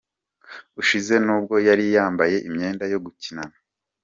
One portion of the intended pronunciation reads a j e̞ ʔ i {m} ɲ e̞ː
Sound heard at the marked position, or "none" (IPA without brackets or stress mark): m